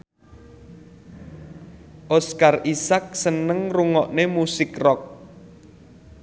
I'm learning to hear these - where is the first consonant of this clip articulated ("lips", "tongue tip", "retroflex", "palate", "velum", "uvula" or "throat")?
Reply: throat